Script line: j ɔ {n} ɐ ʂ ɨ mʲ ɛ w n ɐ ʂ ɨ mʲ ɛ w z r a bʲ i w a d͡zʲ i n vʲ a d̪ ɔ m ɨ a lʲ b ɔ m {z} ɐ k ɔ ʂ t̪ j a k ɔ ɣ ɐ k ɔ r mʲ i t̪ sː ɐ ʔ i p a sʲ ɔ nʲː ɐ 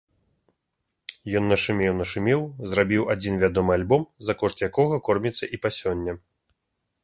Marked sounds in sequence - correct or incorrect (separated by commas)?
incorrect, correct